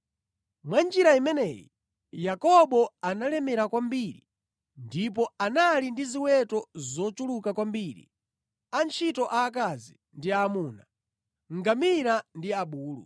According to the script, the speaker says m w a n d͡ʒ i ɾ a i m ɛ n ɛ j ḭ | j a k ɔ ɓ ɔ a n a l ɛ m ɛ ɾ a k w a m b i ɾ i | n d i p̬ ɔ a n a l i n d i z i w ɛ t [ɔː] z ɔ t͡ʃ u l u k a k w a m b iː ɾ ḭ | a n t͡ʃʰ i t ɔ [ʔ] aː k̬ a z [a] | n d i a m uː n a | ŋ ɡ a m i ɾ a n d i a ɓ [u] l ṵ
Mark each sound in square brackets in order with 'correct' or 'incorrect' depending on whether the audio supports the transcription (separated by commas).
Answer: incorrect, correct, incorrect, incorrect